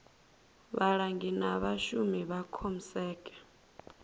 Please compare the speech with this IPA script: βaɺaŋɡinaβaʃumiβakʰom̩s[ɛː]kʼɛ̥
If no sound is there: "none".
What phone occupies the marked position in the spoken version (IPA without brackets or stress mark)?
ɛː